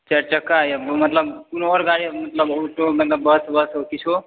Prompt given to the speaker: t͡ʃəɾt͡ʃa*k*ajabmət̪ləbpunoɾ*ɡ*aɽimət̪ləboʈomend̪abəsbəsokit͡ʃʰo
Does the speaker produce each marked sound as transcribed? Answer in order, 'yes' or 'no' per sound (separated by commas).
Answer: yes, yes